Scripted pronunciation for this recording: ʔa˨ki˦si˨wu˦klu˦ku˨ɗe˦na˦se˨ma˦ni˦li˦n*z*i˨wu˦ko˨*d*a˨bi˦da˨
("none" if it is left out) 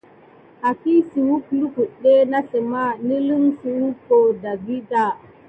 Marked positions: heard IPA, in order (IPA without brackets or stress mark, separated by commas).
s, d